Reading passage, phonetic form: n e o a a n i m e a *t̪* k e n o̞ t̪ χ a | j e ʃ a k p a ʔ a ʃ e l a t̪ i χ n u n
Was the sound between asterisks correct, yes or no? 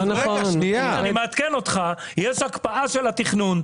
yes